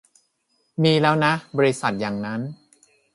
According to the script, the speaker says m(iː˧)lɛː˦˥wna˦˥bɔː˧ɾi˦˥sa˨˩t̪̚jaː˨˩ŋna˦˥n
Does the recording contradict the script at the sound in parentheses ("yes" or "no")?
no